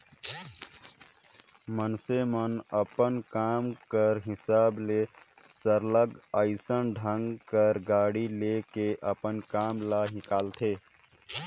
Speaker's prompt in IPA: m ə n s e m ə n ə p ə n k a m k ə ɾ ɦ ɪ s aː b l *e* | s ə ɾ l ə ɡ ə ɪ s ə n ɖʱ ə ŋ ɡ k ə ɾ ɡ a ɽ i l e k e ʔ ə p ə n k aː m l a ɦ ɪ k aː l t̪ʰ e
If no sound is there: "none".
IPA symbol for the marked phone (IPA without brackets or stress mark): e